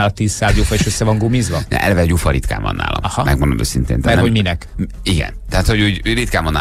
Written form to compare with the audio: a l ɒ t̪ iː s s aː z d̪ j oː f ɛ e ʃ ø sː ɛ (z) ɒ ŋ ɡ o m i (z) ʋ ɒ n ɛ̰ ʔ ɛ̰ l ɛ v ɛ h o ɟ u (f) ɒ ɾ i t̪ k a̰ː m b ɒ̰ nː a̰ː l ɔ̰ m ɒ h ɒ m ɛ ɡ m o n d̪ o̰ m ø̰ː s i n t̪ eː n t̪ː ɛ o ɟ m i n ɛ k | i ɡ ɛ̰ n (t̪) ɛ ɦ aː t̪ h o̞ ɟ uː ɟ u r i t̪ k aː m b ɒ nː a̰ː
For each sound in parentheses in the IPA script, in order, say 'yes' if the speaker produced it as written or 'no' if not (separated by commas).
no, yes, yes, yes